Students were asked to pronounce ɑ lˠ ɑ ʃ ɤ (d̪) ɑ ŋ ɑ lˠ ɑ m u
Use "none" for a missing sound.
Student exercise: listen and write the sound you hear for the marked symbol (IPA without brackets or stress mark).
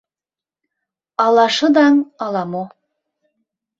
d̪